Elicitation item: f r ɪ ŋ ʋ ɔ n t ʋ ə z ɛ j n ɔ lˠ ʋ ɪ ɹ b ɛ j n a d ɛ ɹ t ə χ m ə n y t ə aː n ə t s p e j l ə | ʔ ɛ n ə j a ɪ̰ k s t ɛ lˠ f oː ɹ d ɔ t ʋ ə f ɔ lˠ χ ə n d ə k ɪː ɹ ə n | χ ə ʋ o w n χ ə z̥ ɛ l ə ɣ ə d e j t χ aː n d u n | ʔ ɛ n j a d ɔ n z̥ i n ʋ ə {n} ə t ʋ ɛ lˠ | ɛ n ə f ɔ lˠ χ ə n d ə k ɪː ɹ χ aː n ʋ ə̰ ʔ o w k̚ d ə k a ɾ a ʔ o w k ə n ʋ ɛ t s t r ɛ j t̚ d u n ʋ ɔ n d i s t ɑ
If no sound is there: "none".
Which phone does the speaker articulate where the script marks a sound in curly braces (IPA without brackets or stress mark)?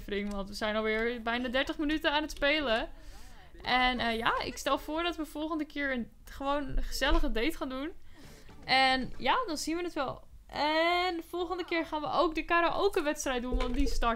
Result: n